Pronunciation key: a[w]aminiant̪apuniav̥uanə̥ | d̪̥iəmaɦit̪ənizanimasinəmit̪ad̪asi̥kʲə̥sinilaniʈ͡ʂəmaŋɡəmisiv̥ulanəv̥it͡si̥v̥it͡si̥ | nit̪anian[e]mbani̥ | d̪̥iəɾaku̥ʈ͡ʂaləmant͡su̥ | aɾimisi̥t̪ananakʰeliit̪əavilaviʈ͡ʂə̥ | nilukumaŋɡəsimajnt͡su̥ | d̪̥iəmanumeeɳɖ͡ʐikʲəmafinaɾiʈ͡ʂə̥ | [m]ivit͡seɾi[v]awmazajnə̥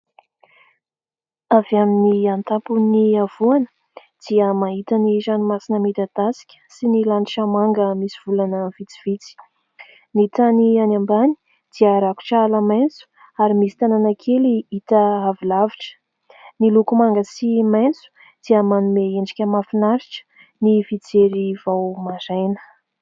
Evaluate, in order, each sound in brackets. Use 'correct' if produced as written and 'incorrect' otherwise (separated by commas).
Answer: incorrect, incorrect, incorrect, correct